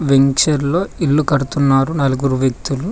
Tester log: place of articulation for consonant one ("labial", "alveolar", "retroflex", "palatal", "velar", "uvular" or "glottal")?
labial